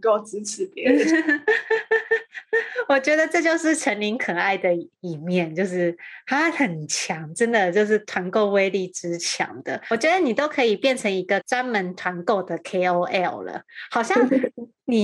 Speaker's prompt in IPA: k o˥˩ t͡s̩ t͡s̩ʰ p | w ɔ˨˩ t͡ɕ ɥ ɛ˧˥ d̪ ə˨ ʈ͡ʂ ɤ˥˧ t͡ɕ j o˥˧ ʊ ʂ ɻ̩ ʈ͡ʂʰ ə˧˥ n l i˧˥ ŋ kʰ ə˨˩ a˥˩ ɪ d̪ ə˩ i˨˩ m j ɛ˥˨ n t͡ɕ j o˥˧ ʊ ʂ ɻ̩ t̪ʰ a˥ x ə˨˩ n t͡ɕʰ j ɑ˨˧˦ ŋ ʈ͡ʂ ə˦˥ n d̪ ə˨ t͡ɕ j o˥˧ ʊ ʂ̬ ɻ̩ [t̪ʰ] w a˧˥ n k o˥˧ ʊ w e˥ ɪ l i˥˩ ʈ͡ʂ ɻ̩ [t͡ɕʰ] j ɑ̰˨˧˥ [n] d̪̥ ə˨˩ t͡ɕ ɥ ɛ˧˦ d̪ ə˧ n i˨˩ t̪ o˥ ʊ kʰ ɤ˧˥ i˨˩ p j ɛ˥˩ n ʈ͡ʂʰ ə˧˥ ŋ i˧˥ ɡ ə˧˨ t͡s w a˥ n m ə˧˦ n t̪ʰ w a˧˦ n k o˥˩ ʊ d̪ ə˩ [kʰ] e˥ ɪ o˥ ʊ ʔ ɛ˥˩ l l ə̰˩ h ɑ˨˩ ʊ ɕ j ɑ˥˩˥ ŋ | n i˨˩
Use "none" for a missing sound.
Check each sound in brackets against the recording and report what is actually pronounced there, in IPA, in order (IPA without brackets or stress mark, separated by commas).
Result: t̪ʰ, t͡ɕʰ, ŋ, kʰ